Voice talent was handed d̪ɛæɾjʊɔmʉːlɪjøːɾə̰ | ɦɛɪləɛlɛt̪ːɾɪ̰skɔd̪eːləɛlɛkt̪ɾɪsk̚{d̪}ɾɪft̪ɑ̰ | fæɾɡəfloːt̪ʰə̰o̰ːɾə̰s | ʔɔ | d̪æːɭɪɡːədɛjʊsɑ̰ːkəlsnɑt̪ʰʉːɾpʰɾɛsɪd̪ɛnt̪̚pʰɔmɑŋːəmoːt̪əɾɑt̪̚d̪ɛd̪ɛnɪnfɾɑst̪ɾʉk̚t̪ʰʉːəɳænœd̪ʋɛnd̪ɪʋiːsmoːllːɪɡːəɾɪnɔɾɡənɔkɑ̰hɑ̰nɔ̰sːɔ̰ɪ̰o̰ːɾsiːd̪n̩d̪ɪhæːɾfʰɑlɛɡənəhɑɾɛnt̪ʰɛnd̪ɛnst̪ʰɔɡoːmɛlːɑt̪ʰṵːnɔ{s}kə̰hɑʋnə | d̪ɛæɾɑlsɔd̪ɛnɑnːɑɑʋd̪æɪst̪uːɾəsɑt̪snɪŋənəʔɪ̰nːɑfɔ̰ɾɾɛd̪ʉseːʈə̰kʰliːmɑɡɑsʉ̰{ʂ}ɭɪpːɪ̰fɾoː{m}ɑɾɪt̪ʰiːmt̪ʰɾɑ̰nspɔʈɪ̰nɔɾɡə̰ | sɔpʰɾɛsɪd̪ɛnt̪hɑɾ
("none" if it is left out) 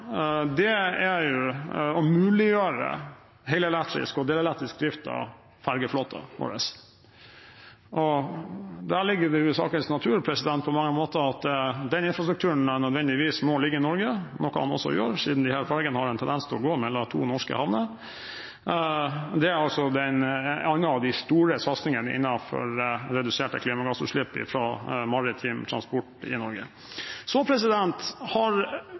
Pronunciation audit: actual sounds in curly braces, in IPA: d̪, ʂ, ʂ, m

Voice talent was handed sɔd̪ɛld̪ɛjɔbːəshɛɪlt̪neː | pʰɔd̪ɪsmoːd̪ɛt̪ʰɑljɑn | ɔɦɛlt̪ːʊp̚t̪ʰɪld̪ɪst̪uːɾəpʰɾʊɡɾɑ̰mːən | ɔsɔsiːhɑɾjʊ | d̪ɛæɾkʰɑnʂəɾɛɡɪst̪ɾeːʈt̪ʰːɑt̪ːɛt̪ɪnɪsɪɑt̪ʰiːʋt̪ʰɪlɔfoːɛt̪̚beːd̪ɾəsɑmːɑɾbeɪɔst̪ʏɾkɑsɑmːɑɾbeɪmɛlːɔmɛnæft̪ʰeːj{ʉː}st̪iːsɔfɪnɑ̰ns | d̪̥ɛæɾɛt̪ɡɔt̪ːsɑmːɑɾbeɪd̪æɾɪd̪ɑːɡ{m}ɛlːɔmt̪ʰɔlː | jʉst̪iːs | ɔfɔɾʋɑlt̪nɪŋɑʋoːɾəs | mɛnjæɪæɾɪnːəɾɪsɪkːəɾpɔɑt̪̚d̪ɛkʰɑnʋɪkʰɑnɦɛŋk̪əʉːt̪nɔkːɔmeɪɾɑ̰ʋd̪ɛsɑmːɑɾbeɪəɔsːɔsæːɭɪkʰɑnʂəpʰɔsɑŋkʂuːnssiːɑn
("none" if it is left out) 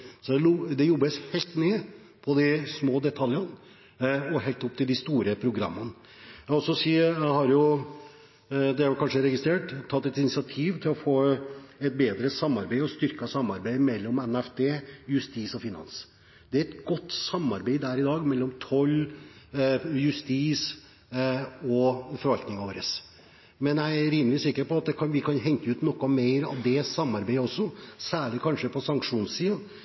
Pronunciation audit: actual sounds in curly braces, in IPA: ʉ, m

